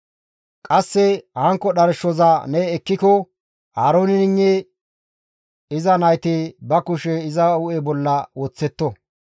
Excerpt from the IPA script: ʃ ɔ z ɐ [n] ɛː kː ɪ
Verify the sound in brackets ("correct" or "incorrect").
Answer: correct